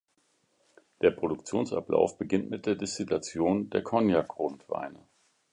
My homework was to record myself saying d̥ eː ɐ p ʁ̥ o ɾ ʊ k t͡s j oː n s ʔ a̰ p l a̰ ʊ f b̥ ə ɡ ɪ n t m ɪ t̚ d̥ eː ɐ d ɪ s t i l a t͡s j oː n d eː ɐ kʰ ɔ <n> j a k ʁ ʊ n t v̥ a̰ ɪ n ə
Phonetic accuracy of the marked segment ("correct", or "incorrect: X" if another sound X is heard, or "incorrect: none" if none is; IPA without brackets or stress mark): correct